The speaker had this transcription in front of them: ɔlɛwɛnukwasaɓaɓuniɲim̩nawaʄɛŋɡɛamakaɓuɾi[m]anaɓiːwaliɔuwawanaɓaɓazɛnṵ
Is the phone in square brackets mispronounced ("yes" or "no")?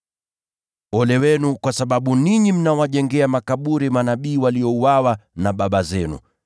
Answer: no